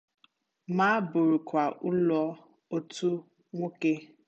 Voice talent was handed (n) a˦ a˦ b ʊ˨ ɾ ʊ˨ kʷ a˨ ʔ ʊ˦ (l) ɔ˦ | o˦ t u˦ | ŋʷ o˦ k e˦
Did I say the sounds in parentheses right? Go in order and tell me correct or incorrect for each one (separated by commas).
incorrect, correct